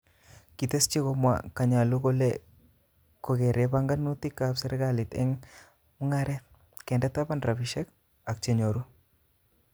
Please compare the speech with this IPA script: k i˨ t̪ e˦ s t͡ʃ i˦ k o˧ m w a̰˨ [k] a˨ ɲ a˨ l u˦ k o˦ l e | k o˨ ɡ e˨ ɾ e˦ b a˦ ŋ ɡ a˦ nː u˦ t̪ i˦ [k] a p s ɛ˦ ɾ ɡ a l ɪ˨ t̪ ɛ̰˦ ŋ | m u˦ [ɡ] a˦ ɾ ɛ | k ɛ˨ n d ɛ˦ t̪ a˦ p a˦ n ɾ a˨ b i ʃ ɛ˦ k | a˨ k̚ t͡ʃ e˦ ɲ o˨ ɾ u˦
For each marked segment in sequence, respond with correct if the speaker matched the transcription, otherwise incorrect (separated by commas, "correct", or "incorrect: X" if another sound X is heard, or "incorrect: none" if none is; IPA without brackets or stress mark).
correct, correct, incorrect: ŋ